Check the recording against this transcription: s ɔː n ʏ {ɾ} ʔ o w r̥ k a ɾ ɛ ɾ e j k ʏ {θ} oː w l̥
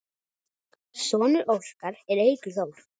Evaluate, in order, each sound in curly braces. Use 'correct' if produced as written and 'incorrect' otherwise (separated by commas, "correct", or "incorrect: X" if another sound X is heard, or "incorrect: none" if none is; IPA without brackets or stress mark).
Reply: correct, correct